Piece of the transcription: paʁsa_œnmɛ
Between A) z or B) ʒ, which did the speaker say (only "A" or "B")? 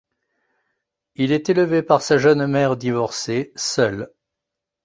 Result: B